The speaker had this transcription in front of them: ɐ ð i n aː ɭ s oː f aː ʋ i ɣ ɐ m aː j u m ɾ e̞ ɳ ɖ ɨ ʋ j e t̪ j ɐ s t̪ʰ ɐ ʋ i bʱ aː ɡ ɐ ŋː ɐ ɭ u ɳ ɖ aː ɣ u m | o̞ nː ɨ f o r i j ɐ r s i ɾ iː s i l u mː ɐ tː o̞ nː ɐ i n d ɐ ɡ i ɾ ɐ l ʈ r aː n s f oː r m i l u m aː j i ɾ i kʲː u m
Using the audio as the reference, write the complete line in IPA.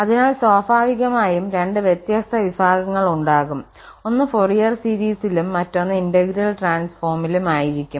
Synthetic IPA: ɐ ð i n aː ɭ s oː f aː ʋ i ɣ ɐ m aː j u m ɾ e̞ ɳ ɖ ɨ ʋ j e t̪ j ɐ s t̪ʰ ɐ ʋ i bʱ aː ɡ ɐ ŋː ɐ ɭ u ɳ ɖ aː ɣ u m | o̞ nː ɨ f o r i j ɐ r s i ɾ iː s i l u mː ɐ tː o̞ nː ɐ i n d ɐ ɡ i ɾ ɐ l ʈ r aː n s f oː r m i l u m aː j i ɾ i kʲː u m